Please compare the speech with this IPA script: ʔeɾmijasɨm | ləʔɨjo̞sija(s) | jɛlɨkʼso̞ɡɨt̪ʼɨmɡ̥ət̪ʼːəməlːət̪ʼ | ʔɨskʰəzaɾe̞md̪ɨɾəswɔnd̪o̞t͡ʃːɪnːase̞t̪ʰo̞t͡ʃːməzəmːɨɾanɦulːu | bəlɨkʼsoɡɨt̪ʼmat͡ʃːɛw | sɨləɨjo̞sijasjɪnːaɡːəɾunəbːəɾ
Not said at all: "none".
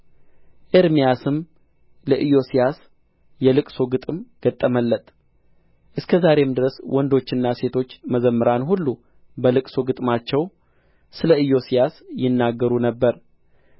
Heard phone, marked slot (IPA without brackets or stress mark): s